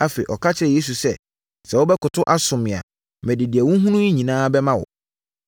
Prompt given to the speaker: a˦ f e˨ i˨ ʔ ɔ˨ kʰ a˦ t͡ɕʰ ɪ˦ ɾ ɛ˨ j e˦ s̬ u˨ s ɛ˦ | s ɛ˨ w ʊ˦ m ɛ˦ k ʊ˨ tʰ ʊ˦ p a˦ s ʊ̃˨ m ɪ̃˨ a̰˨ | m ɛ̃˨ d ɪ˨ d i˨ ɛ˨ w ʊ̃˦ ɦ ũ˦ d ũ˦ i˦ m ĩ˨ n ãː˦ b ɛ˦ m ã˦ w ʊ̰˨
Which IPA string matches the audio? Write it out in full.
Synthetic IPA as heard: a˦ f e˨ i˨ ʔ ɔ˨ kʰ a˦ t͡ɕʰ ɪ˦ ɾ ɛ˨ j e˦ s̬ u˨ s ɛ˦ | s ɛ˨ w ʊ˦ b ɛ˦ k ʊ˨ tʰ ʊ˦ ʔ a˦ s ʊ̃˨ m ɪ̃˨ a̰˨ | m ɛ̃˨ d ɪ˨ d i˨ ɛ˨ w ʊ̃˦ ɦ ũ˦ n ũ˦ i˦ ɲ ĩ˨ n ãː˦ b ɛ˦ m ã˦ w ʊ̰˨